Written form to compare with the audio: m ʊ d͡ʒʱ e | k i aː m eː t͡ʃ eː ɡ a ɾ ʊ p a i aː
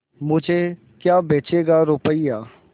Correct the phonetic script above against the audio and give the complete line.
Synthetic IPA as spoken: m ʊ d͡ʒʱ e | k j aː b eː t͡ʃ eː ɡ a ɾ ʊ p ə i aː